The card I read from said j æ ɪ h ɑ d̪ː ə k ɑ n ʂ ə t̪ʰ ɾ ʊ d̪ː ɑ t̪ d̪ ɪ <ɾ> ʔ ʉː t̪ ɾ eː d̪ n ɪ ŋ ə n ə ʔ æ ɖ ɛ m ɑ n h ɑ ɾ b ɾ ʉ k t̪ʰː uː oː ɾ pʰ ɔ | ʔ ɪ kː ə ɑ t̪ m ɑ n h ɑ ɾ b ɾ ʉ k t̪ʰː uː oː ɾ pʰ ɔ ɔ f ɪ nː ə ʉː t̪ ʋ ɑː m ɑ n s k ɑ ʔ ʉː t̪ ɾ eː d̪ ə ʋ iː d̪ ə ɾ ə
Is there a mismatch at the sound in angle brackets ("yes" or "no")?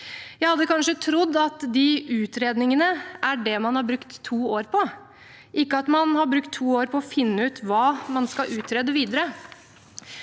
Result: yes